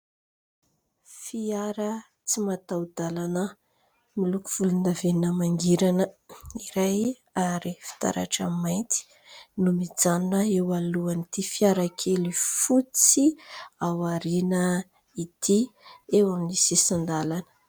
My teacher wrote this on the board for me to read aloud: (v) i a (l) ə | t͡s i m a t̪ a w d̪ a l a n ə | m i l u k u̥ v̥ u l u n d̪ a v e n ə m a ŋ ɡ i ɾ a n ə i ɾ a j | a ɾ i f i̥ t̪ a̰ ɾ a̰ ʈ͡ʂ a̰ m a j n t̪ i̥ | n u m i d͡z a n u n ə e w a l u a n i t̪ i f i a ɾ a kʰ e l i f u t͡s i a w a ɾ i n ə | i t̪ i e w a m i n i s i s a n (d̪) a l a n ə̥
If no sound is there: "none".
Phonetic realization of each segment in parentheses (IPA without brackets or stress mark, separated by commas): f, ɾ, d̪